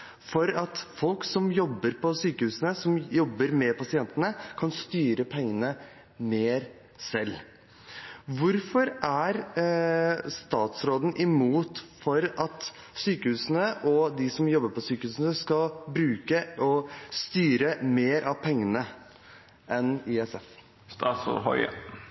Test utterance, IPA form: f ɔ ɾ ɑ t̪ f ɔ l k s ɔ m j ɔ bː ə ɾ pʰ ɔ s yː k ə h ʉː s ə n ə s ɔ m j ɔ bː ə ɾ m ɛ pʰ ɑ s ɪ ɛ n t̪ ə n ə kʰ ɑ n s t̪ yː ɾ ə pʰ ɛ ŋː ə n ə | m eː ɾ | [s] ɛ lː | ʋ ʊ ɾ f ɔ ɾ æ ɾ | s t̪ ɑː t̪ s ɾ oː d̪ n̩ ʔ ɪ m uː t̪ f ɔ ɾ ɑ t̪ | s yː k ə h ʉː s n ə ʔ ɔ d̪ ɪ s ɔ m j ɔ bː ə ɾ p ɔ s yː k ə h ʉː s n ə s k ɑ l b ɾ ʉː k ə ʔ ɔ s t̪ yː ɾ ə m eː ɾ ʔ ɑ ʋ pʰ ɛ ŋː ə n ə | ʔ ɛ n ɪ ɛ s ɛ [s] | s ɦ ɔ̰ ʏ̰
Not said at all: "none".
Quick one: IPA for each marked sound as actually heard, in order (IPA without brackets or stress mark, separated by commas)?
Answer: s, f